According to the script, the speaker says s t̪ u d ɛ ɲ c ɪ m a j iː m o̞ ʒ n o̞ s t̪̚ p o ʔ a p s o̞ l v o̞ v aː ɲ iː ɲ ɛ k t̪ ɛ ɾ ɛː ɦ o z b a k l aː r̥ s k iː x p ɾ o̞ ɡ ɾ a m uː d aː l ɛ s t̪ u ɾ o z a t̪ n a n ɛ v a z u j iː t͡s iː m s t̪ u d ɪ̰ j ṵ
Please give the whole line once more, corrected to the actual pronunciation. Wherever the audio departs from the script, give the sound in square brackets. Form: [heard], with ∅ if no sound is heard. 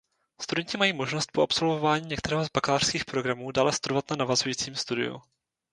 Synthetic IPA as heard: s t̪ u d ɛ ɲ c ɪ m a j iː m o̞ ʒ n o̞ s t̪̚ p o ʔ a p s o̞ l v o̞ v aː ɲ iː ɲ ɛ k t̪ ɛ ɾ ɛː ɦ o z b a k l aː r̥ s k iː x p ɾ o̞ ɡ ɾ a m uː d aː l ɛ s t̪ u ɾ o [v] a t̪ n a n [a] v a z u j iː t͡s iː m s t̪ u d ɪ̰ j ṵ